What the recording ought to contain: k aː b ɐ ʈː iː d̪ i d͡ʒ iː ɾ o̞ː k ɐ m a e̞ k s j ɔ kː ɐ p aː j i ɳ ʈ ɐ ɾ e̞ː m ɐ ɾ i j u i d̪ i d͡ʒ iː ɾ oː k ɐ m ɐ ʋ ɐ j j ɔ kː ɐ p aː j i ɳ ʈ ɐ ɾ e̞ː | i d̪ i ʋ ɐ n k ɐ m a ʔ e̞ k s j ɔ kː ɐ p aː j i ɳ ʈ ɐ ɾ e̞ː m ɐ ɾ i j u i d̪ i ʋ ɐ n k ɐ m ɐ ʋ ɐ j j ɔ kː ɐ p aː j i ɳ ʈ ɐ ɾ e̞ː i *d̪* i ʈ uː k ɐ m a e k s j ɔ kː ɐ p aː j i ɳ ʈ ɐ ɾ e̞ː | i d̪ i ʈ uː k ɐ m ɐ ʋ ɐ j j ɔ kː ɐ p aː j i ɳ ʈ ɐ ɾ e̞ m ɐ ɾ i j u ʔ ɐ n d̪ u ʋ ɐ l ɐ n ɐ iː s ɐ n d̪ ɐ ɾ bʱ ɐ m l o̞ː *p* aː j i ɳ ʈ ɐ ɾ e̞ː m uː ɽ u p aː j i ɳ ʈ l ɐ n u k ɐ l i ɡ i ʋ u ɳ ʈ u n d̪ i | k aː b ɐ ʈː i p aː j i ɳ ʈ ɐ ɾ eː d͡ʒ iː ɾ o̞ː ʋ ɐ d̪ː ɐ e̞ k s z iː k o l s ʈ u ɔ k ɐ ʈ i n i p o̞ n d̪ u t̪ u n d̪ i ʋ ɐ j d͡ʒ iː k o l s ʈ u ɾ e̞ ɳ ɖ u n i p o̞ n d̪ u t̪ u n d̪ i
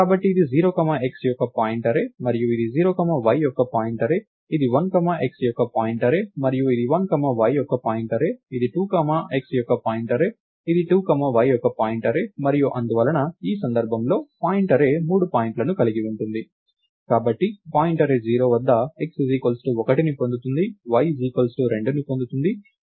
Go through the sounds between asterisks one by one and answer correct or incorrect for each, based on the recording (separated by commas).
correct, correct